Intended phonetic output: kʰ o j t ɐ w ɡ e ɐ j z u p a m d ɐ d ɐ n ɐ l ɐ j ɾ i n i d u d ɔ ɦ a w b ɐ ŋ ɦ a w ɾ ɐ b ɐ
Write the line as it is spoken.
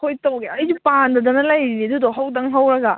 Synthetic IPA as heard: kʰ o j t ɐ w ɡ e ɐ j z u p a n d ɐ d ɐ n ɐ l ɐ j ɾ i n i d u d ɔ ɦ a w d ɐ ŋ ɦ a w ɾ ɐ ɡ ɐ

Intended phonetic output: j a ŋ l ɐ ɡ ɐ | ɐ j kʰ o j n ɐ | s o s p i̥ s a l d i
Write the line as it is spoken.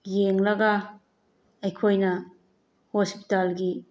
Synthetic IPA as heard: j e ŋ l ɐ ɡ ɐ | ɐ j kʰ o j n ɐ | h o s p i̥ t a l ɡ i

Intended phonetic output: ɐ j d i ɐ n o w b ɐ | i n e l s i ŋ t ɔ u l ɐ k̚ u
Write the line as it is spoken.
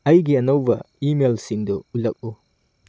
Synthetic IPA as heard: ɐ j ɡ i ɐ n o w b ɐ | i m e l s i ŋ d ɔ u l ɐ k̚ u

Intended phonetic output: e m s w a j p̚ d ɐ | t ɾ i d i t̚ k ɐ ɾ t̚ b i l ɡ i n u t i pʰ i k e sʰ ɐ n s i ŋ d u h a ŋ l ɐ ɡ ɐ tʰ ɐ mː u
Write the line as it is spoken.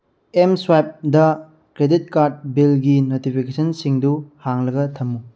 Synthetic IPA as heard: e m s w a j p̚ d ɐ | k ɾ e d i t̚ k a ɾ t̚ b i l ɡ i n o t i pʰ i k e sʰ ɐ n s i ŋ d u h a ŋ l ɐ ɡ ɐ tʰ ɐ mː u

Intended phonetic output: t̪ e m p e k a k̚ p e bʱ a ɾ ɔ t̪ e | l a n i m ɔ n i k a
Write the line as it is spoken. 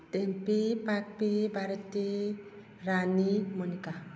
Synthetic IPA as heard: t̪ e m p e p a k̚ p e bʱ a ɾ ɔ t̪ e | ɾ a n i m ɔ n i k a

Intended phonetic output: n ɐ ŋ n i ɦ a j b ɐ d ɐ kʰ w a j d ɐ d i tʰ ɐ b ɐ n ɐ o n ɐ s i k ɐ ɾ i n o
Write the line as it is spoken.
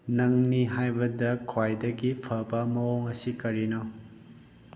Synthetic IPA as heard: n ɐ ŋ n i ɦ a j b ɐ d ɐ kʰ w a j d ɐ ɡ i pʰ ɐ b ɐ m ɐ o ŋ ɐ s i k ɐ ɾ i n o

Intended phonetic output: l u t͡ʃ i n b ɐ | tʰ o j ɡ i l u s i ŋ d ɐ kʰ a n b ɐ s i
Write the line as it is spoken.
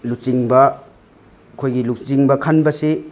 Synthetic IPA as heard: l u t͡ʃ i ŋ b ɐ | kʰ o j ɡ i l u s i ŋ b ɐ kʰ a n b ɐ s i

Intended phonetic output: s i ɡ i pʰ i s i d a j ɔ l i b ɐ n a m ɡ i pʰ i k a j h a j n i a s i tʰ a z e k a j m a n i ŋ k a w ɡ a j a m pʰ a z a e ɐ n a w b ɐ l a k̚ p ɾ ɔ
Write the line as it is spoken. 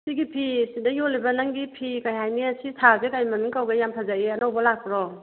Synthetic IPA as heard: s i ɡ i pʰ i s i d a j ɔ l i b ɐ n a ŋ ɡ i pʰ i k a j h a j n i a s i tʰ a z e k a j m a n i ŋ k a w ɡ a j a m pʰ a z a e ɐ n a w b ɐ l a k̚ p ɾ ɔ

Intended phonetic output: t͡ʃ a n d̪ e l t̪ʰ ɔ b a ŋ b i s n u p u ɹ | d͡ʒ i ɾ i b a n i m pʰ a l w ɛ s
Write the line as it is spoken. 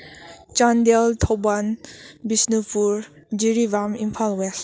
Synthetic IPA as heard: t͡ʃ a n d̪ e l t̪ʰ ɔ b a n b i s n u p u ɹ | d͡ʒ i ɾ i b a m i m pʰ a l w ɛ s

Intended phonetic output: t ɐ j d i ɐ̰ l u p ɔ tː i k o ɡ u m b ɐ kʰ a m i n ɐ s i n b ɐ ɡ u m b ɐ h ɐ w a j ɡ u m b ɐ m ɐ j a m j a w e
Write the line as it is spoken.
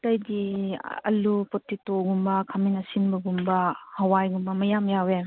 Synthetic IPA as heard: t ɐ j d i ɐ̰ l u p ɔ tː i t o ɡ u m b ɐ kʰ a m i n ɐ s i n b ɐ ɡ u m b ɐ h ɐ w a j ɡ u m b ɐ m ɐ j a m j a w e

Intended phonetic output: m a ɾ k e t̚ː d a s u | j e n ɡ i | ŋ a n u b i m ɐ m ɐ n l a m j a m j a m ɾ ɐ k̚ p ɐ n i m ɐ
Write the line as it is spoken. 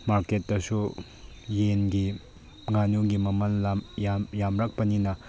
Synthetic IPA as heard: m a ɾ k e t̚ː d ɐ s u | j e n ɡ i | ŋ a n u ɡ i m ɐ m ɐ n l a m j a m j a m ɾ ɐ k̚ p ɐ n i n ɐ

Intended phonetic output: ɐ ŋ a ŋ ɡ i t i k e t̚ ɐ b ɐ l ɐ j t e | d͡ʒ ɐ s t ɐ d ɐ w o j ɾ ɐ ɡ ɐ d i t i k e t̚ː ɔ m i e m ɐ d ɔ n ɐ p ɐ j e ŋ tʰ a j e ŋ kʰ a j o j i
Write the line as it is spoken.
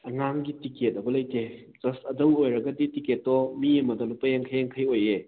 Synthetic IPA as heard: ɐ ŋ a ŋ ɡ i t i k e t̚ ɐ b ɐ l ɐ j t e | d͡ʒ ɐ s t ɐ d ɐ w o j ɾ ɐ ɡ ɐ d i t i k e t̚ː ɔ m i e m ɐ d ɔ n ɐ p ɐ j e ŋ kʰ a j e ŋ kʰ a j o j e

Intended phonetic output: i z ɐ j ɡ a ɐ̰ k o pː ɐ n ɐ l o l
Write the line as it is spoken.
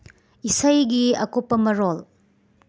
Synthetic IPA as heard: i s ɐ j ɡ i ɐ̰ k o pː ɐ m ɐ ɾ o l

